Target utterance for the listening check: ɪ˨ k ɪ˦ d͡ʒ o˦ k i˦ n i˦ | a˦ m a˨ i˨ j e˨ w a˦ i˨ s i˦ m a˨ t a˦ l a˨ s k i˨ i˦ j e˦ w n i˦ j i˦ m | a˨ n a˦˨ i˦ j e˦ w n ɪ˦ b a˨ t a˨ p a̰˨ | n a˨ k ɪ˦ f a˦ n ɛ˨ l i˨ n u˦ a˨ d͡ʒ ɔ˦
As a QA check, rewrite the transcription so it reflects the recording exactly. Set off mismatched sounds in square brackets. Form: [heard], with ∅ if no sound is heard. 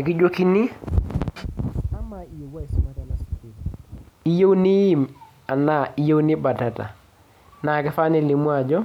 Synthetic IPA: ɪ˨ k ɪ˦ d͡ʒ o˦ k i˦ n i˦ | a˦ m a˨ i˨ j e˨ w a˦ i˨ s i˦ m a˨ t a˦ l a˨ s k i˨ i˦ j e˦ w n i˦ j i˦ m | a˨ n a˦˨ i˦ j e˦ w n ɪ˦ b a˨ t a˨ [t] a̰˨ | n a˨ k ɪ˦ f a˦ n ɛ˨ l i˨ [m] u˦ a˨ d͡ʒ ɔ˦